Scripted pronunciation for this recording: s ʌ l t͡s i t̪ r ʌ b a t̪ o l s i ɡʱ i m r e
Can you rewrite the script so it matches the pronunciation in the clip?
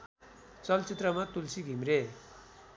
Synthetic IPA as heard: t͡s ʌ l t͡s i t̪ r ʌ m a t̪ u l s i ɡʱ i m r e